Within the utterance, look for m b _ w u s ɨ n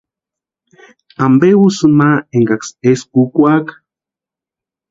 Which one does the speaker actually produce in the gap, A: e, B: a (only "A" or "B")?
A